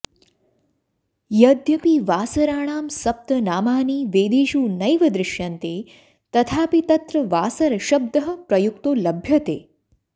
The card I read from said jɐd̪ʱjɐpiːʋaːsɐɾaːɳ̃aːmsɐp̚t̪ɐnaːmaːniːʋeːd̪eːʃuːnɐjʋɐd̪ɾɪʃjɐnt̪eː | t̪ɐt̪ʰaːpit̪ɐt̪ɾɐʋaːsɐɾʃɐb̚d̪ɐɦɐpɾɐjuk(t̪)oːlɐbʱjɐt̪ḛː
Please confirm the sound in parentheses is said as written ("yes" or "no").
yes